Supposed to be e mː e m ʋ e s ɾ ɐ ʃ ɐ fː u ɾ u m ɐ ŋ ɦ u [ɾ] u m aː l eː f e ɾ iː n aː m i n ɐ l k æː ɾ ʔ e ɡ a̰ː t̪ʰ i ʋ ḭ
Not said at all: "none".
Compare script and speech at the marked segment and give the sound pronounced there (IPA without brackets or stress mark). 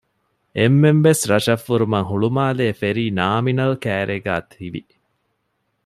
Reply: ɭ